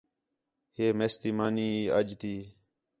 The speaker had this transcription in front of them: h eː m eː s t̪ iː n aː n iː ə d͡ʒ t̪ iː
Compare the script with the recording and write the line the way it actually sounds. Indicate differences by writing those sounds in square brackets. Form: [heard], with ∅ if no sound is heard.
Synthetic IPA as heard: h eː m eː s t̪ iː [m] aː n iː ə d͡ʒ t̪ iː